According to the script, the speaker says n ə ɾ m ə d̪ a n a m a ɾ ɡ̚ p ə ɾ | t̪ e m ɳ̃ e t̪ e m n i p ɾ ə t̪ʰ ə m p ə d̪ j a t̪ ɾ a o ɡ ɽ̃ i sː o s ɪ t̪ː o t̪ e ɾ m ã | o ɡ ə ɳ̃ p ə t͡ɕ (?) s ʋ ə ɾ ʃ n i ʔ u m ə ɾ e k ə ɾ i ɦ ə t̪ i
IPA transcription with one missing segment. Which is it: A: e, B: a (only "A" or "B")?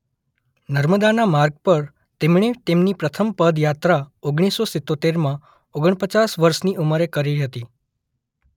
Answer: B